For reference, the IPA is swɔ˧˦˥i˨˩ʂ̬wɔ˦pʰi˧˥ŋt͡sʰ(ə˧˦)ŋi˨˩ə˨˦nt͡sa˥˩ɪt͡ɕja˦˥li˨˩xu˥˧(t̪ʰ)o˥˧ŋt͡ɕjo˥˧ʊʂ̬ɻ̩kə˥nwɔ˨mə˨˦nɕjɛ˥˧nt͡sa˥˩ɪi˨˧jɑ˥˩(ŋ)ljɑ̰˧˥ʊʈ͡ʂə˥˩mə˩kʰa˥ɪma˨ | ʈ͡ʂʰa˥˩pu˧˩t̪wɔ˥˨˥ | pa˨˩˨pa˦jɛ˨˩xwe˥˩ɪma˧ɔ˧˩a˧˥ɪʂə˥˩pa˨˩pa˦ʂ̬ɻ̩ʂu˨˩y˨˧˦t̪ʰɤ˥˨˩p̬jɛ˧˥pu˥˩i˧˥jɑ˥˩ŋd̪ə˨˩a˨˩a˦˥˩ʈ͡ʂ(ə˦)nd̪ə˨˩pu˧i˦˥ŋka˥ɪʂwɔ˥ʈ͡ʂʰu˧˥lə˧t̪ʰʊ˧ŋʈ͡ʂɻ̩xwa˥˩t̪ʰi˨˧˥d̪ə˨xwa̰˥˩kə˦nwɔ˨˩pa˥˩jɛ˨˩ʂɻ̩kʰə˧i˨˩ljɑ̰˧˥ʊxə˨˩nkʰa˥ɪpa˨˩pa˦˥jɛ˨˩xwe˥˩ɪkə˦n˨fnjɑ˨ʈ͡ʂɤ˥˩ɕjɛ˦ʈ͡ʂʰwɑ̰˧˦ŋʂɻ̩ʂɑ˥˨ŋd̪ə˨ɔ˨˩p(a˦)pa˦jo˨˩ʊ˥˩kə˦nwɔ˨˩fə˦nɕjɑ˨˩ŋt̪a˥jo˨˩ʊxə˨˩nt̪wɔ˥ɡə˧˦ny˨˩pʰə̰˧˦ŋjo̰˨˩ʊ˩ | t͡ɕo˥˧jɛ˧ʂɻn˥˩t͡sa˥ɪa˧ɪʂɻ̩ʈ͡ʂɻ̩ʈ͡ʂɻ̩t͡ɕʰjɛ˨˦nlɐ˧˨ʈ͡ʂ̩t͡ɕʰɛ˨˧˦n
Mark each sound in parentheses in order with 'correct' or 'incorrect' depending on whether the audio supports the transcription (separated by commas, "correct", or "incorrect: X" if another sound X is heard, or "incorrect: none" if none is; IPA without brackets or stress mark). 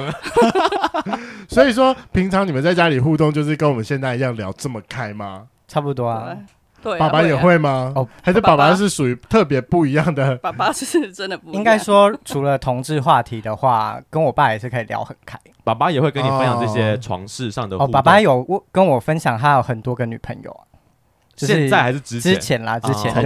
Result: incorrect: ɑ˧˦, incorrect: t̪, correct, correct, incorrect: a˨˩